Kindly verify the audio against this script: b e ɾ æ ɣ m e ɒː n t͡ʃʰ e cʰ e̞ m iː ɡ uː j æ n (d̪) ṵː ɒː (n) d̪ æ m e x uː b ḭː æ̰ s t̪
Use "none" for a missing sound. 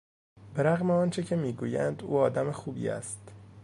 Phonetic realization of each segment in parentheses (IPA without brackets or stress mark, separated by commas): d̪, none